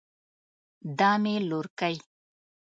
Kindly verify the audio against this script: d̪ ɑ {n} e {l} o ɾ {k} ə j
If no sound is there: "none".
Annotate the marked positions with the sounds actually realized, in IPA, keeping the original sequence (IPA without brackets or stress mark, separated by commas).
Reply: m, l, k